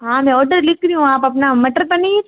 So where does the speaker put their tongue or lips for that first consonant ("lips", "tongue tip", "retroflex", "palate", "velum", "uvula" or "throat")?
throat